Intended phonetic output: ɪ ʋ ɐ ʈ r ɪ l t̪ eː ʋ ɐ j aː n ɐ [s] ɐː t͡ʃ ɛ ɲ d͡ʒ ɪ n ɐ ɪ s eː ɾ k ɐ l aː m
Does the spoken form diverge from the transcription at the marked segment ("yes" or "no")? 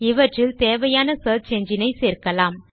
no